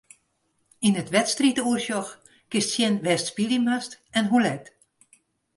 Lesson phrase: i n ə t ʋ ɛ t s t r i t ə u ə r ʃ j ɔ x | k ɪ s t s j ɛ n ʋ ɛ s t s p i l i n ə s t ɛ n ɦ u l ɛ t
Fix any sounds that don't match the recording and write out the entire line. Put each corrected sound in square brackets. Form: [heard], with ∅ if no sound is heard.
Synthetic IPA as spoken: i n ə t ʋ ɛ t s t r i t ə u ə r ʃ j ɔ x | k ɪ s t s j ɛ n ʋ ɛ s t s p i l i [m] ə s t ɛ n ɦ u l ɛ t

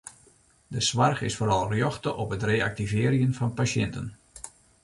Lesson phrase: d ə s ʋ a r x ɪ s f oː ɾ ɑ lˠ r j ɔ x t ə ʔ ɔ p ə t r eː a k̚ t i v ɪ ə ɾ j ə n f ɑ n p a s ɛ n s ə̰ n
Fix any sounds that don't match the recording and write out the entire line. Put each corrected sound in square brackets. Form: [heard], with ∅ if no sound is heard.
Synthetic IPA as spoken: d ə s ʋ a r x ɪ s f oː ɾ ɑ lˠ r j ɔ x t ə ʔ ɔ p ə t r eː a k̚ t i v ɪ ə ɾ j ə n f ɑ n p a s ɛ n [t] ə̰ n

